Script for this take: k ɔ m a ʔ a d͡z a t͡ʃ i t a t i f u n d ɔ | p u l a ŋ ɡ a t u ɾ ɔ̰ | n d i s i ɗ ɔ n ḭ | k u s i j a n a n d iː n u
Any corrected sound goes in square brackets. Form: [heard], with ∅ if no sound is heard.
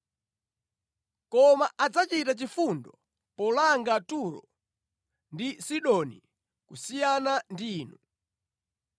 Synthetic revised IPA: k ɔ m a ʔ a d͡z a t͡ʃ i t a [t͡ʃ] i f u n d ɔ | p [ɔ] l a ŋ ɡ a t u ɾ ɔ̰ | n d i s i ɗ ɔ n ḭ | k u s i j a n a n d iː n u